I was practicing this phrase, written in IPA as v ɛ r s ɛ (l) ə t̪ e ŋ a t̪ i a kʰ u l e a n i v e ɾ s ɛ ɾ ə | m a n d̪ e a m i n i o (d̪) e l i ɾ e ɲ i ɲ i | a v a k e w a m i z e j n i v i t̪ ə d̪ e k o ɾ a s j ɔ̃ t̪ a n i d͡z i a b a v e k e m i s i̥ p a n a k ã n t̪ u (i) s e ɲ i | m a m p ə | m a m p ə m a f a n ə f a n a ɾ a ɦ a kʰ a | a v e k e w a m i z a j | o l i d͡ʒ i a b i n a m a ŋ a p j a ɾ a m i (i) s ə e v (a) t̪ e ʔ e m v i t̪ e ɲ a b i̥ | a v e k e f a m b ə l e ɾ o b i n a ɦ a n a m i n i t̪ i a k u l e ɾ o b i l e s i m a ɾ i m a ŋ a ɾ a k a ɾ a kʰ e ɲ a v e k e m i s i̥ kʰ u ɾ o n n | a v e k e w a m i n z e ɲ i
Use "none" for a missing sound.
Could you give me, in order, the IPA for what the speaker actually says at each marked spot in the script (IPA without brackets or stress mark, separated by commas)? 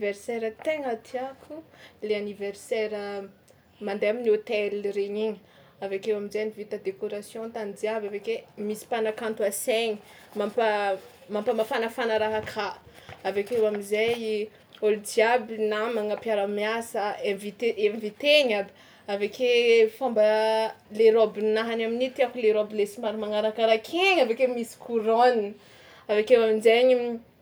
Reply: ɾ, t̪, a, a, i